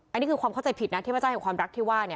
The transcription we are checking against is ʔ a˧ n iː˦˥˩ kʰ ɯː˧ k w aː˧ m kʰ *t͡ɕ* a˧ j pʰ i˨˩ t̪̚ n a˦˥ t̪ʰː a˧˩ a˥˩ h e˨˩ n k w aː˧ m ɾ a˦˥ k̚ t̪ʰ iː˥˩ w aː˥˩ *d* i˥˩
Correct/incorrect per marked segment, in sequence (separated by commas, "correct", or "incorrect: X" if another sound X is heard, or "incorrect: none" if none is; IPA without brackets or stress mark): correct, incorrect: n